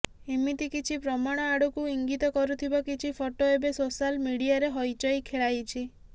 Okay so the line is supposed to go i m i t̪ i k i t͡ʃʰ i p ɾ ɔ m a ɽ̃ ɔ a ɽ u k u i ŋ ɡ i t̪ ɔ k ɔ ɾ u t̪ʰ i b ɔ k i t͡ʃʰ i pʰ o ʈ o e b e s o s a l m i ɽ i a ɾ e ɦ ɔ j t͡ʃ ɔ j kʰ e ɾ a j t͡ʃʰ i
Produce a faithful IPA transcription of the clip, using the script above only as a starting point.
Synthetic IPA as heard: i m i t̪ i k i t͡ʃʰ i p ɾ ɔ m a ɽ̃ ɔ a ɽ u k u i ŋ ɡ i t̪ ɔ k ɔ ɾ u t̪ʰ i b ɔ k i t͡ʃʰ i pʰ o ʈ o e b e s o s a l m i ɽ i a ɾ e ɦ ɔ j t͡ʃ ɔ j kʰ e ɭ a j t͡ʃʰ i